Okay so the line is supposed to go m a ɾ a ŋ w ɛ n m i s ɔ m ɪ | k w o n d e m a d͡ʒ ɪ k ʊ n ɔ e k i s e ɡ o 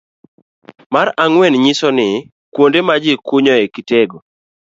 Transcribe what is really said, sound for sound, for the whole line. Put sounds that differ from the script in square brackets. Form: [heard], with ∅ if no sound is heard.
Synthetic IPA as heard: m a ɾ a ŋ w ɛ n [ɲ] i s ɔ [n] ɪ | k w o n d e m a d͡ʒ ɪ k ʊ [ɲ] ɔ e k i [t] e ɡ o